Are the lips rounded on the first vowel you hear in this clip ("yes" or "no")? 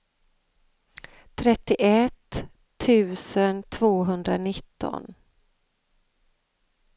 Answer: no